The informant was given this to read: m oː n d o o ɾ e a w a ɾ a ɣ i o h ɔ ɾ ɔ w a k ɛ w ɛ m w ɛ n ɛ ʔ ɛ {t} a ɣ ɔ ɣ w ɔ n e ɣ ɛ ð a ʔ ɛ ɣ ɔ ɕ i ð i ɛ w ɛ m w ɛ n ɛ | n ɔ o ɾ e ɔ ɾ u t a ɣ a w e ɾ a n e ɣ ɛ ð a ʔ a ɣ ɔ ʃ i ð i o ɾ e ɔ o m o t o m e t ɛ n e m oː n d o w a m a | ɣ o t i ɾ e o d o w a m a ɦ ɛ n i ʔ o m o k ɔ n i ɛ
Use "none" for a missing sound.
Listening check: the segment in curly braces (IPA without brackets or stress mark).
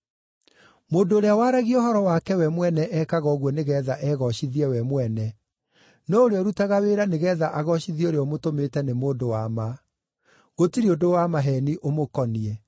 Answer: k